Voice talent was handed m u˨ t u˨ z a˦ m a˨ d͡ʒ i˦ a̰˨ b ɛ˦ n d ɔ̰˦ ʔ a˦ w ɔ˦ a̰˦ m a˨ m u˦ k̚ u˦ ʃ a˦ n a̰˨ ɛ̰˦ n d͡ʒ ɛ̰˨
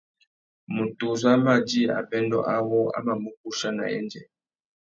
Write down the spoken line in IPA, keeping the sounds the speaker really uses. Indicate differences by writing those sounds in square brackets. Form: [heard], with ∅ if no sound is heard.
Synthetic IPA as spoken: m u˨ t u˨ z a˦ m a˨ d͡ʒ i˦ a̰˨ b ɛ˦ n d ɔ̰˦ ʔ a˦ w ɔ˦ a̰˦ m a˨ m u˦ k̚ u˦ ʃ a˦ n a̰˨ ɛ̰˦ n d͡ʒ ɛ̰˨